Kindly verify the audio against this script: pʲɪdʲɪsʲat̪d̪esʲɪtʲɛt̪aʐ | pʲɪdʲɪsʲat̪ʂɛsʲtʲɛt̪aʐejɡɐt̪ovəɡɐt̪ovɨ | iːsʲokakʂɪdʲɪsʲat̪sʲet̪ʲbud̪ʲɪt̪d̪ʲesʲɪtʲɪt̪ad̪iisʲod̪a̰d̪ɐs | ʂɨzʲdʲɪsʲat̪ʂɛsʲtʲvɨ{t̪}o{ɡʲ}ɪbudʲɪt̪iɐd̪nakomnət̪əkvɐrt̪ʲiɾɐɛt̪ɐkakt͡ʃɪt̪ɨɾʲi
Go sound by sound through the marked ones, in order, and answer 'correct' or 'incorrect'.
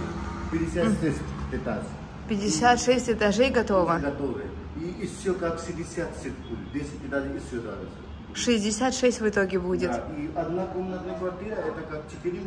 correct, correct

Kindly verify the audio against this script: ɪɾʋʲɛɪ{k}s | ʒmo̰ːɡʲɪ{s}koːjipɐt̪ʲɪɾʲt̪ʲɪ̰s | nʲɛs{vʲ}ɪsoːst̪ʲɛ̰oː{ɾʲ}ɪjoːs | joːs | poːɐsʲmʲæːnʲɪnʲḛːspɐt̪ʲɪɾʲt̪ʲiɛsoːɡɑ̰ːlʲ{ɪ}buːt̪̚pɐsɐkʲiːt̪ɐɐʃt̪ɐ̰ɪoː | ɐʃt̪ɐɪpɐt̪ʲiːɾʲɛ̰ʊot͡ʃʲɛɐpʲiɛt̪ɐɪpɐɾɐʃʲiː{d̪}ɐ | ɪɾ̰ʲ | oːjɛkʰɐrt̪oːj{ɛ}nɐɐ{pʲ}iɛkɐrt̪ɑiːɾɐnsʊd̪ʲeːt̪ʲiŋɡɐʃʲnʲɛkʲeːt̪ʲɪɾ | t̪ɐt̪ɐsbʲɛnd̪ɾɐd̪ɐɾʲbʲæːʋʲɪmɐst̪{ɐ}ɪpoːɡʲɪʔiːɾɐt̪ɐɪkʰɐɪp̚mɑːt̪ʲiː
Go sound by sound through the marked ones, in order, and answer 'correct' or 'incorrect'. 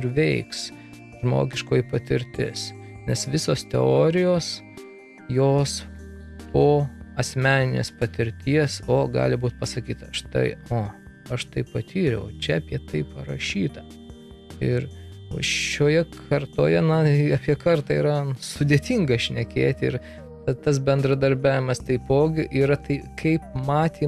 correct, incorrect: ʃ, incorrect: ʋʲ, correct, correct, incorrect: t̪, correct, correct, correct

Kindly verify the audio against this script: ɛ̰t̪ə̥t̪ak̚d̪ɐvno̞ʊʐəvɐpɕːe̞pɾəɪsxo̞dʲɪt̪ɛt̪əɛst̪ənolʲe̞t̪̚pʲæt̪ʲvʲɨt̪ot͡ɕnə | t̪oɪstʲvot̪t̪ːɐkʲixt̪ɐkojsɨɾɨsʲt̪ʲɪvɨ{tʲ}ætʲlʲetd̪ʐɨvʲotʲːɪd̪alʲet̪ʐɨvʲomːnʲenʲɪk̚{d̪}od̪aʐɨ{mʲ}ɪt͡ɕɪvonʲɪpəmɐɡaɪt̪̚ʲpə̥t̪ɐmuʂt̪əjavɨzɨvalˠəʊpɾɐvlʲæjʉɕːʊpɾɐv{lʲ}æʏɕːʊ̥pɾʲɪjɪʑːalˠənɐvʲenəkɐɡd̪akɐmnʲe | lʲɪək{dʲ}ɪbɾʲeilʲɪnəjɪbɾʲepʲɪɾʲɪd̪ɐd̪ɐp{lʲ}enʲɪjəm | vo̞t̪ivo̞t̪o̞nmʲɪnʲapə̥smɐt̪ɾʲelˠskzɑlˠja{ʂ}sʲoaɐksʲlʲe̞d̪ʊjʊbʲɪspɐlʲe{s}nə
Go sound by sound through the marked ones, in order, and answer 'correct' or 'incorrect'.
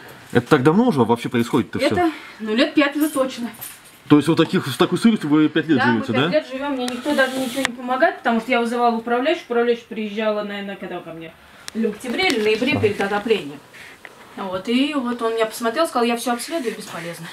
incorrect: pʲ, incorrect: t̪, incorrect: nʲ, correct, incorrect: tʲ, correct, incorrect: f, incorrect: z

